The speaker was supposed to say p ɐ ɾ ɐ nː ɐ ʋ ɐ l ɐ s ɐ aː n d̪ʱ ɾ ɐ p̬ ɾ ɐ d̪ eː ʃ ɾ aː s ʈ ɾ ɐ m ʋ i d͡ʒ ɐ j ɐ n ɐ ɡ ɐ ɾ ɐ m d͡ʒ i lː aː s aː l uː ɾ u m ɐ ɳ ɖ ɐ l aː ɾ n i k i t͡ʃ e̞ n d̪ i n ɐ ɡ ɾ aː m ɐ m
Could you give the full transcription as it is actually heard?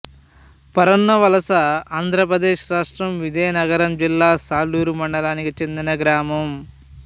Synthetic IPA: p ɐ ɾ ɐ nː ɐ ʋ ɐ l ɐ s ɐ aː n d̪ʱ ɾ ɐ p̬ ɾ ɐ d̪ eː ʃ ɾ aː ʂ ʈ ɾ ɐ m ʋ i d͡ʒ ɐ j ɐ n ɐ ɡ ɐ ɾ ɐ m d͡ʒ i lː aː s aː l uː ɾ u m ɐ ɳ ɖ ɐ l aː n i k i t͡ʃ e̞ n d̪ i n ɐ ɡ ɾ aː m ɐ m